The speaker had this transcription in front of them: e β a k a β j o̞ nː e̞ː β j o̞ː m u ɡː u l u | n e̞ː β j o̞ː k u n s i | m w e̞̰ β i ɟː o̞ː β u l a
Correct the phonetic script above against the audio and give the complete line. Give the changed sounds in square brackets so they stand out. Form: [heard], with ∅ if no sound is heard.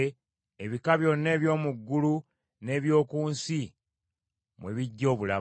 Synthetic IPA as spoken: e β [i] k a β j o̞ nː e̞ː β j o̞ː m u ɡː u l u | n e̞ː β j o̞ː k [uː] n s i | m w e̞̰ β i ɟː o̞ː β u l a

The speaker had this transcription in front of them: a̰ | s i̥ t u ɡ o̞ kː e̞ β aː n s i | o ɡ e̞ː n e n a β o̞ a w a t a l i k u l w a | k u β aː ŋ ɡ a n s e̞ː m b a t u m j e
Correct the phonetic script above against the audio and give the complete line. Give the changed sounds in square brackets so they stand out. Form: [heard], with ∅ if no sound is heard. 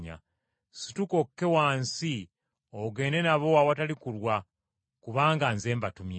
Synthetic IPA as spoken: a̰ | s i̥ t u [k] o̞ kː e̞ [w] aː n s i | o ɡ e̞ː n e n a β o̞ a w a t a l i k u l w a | k u β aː ŋ ɡ a n [z] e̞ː m b a t u m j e

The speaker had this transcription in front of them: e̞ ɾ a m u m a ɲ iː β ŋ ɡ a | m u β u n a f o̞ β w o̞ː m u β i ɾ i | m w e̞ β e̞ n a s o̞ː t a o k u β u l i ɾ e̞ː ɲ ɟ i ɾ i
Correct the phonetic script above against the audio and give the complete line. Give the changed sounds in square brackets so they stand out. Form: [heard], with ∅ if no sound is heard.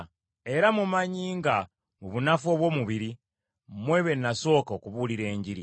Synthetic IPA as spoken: e̞ ɾ a m u m a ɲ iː [∅] ŋ ɡ a | m u β u n a f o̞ β w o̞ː m u β i ɾ i | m w e̞ β e̞ n a s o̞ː [k] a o k u β u l i ɾ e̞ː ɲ ɟ i ɾ i

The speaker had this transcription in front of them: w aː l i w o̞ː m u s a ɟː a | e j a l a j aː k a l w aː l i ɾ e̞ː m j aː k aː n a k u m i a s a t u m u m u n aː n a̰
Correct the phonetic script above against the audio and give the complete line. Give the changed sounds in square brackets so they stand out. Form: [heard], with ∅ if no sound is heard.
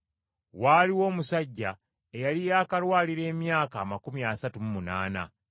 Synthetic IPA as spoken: w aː l i w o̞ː m u s a ɟː a | e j a l [i] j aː k a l w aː l i ɾ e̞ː m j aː k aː [m] a k u m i a s a t u m u m u n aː n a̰

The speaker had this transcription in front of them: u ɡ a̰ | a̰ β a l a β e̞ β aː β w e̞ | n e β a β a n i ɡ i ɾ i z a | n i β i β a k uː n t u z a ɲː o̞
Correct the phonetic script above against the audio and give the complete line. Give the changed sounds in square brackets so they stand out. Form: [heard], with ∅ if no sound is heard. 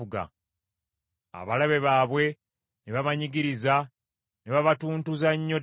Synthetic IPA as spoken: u ɡ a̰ | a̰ β a l a β e̞ β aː β w e̞ | n e β a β a [ɲ] i ɡ i ɾ i z a | n [e] β [a] β a [t] uː n t u z a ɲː o̞

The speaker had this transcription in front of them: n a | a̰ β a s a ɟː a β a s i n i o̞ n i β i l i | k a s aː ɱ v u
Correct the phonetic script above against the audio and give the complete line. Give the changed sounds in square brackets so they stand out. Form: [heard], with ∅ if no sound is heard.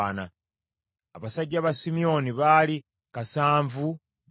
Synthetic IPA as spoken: n a | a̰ β a s a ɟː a β a s i [m] i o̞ n i β [a] l i | k a s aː ɱ v u

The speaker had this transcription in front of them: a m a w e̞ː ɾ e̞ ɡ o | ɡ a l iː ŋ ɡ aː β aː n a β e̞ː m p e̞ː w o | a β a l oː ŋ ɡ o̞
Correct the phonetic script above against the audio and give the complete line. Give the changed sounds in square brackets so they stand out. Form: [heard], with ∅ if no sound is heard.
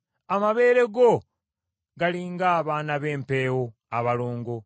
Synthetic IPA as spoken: a m a [β] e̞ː ɾ e̞ ɡ o | ɡ a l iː ŋ ɡ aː β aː n a β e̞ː m p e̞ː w o | a β a l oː ŋ ɡ o̞

